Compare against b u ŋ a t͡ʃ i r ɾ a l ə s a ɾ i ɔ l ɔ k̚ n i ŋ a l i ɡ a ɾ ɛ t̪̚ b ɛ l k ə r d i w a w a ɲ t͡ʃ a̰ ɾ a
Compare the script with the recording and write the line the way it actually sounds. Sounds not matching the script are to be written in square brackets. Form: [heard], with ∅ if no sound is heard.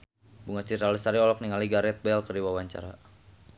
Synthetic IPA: b u ŋ a t͡ʃ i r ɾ a l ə s a ɾ i ɔ l ɔ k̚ n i ŋ a l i ɡ a ɾ ɛ t̪̚ b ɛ l k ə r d i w a w a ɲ t͡ʃ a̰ ɾ a